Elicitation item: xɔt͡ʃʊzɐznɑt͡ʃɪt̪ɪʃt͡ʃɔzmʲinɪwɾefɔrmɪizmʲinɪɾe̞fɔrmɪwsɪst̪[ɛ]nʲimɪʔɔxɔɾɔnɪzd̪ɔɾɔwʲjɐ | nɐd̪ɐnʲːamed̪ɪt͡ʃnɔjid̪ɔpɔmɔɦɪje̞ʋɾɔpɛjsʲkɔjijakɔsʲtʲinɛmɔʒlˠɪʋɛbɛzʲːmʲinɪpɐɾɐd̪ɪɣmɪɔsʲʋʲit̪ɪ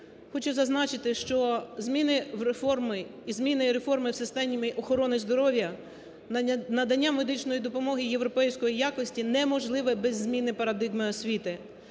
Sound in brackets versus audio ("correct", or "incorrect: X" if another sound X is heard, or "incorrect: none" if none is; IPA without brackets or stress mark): correct